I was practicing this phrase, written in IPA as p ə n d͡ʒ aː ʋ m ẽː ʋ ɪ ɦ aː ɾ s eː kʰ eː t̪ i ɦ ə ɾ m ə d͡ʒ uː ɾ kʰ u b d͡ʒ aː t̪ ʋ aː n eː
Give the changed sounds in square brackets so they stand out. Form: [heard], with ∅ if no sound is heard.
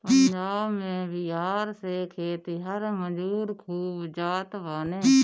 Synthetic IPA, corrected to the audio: p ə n d͡ʒ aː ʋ m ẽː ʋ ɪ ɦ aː ɾ s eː kʰ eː t̪ i ɦ ə ɾ m ə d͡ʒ uː ɾ kʰ [uː] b d͡ʒ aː t̪ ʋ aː n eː